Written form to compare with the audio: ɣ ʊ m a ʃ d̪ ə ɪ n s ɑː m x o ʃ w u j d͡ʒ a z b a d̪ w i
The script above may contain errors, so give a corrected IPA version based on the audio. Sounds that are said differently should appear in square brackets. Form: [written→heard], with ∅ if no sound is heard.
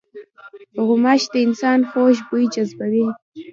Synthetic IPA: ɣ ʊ m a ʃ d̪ ə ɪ n s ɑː [m→n] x o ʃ [w→b] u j d͡ʒ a z b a [d̪→∅] w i